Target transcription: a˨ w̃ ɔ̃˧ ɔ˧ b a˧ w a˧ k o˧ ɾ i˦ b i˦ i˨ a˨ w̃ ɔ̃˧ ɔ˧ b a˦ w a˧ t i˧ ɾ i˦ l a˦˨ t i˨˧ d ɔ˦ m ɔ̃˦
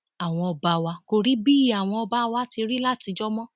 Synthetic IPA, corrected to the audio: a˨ w̃ ɔ̃˧ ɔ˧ b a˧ w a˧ k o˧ ɾ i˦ b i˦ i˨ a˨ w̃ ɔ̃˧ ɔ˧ b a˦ w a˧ t i˧ ɾ i˦ l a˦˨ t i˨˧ d͡ʒ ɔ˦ m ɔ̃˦